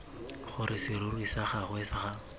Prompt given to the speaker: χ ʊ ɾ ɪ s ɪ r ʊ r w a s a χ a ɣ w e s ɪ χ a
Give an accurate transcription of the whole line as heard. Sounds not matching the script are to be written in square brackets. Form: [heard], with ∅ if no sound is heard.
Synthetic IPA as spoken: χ ʊ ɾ ɪ s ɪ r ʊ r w [i] s a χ a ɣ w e s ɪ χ a